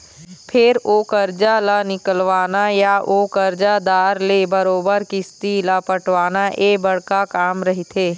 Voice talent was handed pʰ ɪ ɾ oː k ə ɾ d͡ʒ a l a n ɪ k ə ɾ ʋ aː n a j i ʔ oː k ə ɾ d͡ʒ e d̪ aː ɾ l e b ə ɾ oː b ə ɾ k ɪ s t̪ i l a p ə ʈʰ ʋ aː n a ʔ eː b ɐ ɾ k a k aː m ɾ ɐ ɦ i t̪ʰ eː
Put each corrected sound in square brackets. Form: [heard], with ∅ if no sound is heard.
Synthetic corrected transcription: pʰ ɪ ɾ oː k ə ɾ d͡ʒ a l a n ɪ k ə [l] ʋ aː n a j [a] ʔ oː k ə ɾ d͡ʒ [a] d̪ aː ɾ l e b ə ɾ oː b ə ɾ k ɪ s t̪ i l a p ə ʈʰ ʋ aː n a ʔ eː b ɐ [ɽ] k a k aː m ɾ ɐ ɦ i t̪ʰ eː